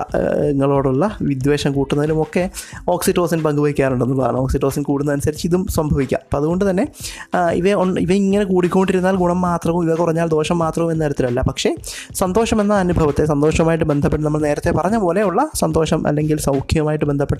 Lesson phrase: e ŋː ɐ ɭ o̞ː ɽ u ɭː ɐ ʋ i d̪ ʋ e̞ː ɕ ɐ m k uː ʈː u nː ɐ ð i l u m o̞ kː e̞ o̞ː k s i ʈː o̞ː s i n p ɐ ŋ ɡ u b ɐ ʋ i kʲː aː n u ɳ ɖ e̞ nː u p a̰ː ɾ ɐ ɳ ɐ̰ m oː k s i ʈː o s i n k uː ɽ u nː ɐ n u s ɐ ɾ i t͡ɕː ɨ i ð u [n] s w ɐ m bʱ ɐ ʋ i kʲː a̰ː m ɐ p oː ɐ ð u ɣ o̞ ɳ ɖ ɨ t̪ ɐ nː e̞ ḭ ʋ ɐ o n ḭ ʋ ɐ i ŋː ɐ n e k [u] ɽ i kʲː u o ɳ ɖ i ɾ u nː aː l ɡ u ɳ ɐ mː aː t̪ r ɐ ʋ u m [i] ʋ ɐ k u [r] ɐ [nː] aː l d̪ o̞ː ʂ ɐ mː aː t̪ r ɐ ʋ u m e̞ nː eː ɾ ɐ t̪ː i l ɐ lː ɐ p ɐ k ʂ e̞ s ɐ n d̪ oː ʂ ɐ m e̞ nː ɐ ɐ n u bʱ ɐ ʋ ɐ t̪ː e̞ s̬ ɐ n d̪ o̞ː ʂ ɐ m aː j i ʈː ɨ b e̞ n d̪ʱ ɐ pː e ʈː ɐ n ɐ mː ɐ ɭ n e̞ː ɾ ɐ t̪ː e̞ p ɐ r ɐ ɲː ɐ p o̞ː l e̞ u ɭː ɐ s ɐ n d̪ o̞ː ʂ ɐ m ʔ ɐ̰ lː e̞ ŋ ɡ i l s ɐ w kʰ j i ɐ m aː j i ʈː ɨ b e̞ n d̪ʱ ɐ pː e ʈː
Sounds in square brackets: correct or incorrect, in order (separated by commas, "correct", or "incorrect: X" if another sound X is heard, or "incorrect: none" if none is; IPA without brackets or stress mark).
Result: incorrect: m, incorrect: uː, correct, correct, incorrect: ɲː